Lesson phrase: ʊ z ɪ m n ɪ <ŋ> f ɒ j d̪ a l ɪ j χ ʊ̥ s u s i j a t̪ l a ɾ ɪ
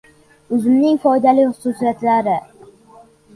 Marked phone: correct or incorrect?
correct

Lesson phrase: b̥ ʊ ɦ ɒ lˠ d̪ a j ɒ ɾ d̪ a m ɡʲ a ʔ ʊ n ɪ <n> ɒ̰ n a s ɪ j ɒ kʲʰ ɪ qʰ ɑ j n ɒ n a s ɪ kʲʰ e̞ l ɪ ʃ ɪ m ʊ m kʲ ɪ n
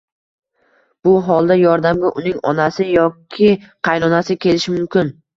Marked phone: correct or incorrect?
incorrect: ŋ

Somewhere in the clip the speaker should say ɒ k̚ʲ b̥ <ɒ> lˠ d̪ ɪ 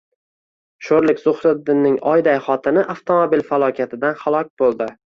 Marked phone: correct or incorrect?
incorrect: o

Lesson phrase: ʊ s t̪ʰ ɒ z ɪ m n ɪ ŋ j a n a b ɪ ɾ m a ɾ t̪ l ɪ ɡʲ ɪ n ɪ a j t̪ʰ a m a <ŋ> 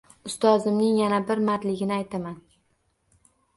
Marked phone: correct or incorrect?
incorrect: n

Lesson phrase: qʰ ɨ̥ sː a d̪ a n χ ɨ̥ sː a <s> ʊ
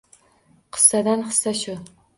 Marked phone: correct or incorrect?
incorrect: ʃ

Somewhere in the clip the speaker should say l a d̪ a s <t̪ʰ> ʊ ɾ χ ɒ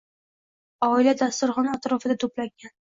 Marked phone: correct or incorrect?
incorrect: t̪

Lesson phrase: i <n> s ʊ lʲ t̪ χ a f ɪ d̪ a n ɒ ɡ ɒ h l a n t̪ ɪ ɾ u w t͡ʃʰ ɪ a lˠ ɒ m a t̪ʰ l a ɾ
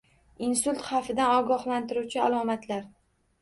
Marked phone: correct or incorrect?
correct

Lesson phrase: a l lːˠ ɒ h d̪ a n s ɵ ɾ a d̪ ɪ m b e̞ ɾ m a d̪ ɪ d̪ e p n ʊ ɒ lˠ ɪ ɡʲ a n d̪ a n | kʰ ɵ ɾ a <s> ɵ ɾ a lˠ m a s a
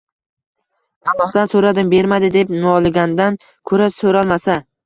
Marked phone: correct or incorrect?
correct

